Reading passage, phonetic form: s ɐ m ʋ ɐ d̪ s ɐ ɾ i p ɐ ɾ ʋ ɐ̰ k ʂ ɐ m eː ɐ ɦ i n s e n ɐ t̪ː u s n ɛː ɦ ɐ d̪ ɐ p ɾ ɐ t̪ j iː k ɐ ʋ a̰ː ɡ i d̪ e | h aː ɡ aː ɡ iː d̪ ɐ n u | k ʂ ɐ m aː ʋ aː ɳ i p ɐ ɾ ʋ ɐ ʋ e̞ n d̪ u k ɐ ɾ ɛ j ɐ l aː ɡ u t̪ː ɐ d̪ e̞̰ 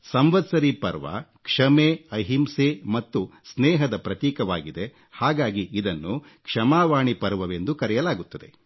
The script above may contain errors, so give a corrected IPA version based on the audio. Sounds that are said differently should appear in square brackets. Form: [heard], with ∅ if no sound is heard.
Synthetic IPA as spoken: s ɐ m ʋ ɐ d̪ s ɐ ɾ i p ɐ ɾ ʋ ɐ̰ k ʂ ɐ m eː ɐ ɦ i [m] s e [m] ɐ t̪ː u s n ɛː ɦ ɐ d̪ ɐ p ɾ ɐ t̪ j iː k ɐ ʋ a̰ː ɡ i d̪ e | h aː ɡ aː ɡ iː d̪ ɐ [nː] u | k ʂ ɐ m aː ʋ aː ɳ i p ɐ ɾ ʋ ɐ ʋ e̞ n d̪ u k ɐ ɾ ɛ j ɐ l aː ɡ u t̪ː ɐ d̪ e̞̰

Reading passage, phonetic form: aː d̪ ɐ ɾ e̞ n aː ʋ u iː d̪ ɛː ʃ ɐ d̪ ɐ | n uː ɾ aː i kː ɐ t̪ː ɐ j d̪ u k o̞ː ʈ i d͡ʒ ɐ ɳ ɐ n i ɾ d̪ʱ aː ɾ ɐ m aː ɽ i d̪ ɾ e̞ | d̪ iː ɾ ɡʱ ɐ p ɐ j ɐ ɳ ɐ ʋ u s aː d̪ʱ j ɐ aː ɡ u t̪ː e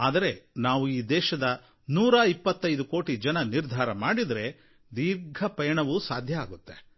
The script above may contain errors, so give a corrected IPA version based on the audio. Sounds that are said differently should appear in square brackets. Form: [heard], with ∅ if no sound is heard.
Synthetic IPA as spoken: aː d̪ ɐ ɾ e̞ n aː ʋ u iː d̪ ɛː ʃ ɐ d̪ ɐ | n uː ɾ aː i [pː] ɐ t̪ː ɐ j d̪ u k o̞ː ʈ i d͡ʒ ɐ [n] ɐ n i ɾ d̪ʱ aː ɾ ɐ m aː ɽ i d̪ ɾ e̞ | d̪ iː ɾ ɡʱ ɐ p ɐ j ɐ ɳ ɐ ʋ u s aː d̪ʱ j ɐ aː ɡ u t̪ː e

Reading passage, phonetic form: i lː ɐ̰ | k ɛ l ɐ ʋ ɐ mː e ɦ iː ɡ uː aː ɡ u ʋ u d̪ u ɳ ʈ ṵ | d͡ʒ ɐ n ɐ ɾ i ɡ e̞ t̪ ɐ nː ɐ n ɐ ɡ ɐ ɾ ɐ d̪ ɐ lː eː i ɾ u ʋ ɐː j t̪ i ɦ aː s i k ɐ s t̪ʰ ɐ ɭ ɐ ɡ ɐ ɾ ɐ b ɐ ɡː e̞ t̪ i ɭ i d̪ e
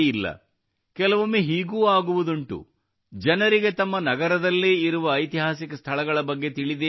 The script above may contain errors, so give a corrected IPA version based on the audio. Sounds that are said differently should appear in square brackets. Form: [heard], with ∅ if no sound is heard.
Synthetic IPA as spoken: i lː ɐ̰ | k ɛ l ɐ ʋ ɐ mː e ɦ iː ɡ uː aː ɡ u ʋ u d̪ u ɳ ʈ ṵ | d͡ʒ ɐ n ɐ ɾ i ɡ e̞ t̪ ɐ [mː] ɐ n ɐ ɡ ɐ ɾ ɐ d̪ ɐ lː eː i ɾ u ʋ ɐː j t̪ i ɦ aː s i k ɐ s t̪ʰ ɐ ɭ ɐ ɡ ɐ [ɭ] ɐ b ɐ ɡː e̞ t̪ i ɭ i d̪ e

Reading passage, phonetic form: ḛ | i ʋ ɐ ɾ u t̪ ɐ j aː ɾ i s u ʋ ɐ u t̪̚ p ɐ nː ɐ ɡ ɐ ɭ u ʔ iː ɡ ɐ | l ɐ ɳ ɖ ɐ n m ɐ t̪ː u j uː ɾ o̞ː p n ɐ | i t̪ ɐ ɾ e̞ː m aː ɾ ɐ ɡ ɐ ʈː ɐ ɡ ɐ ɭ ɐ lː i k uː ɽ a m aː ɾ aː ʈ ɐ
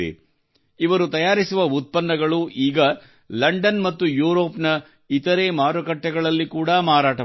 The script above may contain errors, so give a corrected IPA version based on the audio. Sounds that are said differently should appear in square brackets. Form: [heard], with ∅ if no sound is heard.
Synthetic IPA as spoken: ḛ | i ʋ ɐ ɾ u t̪ ɐ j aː ɾ i s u ʋ ɐ u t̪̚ p ɐ nː ɐ ɡ ɐ ɭ u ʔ iː ɡ ɐ | l ɐ ɳ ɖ ɐ n m ɐ t̪ː u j uː ɾ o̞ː p n ɐ | i t̪ ɐ ɾ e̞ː m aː ɾ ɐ [k] ɐ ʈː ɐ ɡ ɐ ɭ ɐ lː i k uː ɽ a m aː ɾ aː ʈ ɐ

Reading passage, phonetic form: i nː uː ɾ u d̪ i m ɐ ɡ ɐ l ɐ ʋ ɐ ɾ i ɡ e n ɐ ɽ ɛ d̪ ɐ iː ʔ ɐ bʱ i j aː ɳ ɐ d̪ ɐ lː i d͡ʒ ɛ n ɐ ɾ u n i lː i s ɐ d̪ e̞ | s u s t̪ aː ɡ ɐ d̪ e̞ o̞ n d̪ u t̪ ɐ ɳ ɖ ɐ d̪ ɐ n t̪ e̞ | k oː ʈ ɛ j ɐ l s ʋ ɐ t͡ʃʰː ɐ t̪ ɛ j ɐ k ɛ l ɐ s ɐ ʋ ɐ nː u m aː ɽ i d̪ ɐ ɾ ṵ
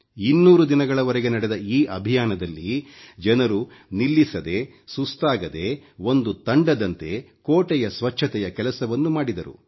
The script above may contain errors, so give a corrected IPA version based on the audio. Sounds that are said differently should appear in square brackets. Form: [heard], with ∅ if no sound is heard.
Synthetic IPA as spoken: i nː uː ɾ u d̪ i [n] ɐ ɡ ɐ [ɭ] ɐ ʋ ɐ ɾ [ɛ] ɡ e n ɐ ɽ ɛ d̪ ɐ iː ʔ ɐ bʱ i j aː [n] ɐ d̪ ɐ lː i d͡ʒ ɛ n ɐ ɾ u n i lː i s ɐ d̪ e̞ | s u s t̪ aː ɡ ɐ d̪ e̞ o̞ n d̪ u t̪ ɐ ɳ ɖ ɐ d̪ ɐ n t̪ e̞ | k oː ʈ ɛ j ɐ [∅] s ʋ ɐ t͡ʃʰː ɐ t̪ ɛ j ɐ k ɛ l ɐ s ɐ ʋ ɐ nː u m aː ɽ i d̪ ɐ ɾ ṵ

